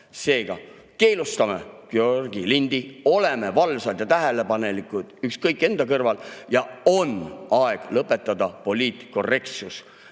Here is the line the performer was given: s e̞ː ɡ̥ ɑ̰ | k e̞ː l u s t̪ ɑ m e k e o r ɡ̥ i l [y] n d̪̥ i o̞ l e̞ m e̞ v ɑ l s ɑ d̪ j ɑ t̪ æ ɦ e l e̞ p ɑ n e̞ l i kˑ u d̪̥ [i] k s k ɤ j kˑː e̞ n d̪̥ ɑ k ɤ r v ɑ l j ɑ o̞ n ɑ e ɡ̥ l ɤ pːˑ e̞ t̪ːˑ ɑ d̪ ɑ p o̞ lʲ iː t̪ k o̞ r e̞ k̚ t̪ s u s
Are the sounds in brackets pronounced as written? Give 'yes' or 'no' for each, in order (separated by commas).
no, no